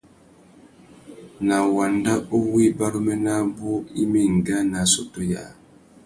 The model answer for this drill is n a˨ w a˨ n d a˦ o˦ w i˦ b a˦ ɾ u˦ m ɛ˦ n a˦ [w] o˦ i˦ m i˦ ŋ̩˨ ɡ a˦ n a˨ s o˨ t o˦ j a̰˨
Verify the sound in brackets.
incorrect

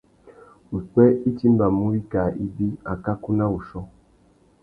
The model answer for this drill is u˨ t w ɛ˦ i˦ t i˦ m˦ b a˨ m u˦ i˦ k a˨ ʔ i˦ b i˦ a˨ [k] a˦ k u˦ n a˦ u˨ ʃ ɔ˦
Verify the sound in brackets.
correct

